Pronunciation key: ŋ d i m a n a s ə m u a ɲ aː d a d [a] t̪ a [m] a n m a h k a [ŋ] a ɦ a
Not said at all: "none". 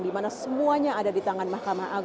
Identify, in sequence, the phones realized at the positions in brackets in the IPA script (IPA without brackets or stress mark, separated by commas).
i, ŋ, m